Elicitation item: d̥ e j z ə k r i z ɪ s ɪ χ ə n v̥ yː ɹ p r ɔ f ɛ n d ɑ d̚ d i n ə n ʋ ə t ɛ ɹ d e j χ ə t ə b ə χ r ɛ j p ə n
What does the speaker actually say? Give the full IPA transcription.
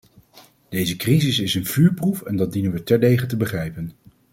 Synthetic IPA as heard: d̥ e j z ə k r i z ɪ s ɪ s ə n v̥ yː ɹ p r u f ɛ n d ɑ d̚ d i n ə n ʋ ə t ɛ ɹ d e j χ ə t ə b ə χ r ɛ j p ə n